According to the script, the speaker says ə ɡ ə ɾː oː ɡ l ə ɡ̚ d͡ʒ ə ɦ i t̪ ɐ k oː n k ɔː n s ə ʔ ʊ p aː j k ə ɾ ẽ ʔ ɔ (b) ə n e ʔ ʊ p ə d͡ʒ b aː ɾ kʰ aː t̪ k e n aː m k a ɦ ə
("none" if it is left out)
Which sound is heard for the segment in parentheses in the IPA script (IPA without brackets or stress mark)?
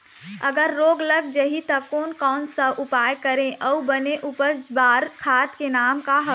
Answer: b